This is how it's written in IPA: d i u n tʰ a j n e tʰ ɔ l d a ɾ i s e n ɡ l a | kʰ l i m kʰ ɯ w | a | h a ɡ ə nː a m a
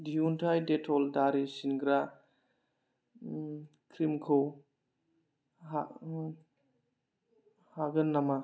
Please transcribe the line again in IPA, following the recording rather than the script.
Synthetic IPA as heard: d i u n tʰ a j d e tʰ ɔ l d a ɾ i s i n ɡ ɾ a | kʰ ɾ i m kʰ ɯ w | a | h a ɡ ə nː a m a